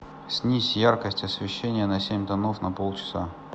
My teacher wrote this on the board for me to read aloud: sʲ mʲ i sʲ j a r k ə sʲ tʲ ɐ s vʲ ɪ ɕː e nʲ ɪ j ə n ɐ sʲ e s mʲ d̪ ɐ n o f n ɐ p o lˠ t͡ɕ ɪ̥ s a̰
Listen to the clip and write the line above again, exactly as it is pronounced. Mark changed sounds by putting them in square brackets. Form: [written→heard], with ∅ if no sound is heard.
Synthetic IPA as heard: sʲ [mʲ→nʲ] i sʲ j a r k ə sʲ tʲ ɐ s vʲ ɪ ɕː e nʲ ɪ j ə n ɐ sʲ e [s→∅] mʲ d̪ ɐ n o f n ɐ p o lˠ t͡ɕ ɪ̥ s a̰